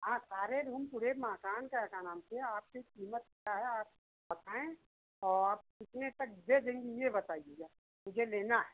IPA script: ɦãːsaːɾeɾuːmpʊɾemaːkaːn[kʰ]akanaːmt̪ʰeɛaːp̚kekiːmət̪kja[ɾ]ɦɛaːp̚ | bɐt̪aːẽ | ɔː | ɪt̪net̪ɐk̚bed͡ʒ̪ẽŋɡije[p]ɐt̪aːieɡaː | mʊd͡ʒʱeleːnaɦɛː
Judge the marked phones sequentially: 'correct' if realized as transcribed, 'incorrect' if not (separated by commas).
incorrect, incorrect, incorrect